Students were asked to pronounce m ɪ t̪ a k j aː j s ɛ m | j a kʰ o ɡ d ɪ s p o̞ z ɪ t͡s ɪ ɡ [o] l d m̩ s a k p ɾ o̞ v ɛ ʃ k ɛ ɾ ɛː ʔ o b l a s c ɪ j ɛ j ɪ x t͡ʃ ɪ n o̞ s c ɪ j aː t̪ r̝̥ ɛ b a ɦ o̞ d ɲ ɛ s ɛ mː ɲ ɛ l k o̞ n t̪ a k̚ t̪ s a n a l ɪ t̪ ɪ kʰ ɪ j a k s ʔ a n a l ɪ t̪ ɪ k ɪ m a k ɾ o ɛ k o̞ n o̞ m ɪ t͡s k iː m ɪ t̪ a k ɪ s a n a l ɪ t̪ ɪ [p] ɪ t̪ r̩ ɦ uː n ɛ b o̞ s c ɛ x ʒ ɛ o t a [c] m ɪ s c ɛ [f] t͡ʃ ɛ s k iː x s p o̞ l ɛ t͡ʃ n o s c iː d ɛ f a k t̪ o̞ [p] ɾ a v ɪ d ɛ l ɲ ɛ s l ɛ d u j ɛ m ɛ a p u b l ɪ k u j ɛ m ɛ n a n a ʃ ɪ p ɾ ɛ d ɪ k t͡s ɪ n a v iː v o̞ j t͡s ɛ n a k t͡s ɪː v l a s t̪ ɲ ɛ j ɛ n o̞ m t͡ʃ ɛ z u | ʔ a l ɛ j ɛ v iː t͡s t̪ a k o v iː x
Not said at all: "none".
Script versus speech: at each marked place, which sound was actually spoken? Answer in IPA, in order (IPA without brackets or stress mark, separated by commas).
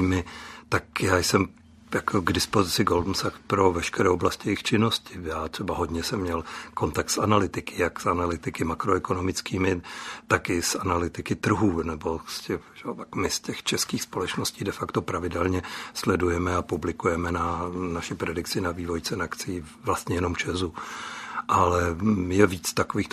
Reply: o, k, k, x, p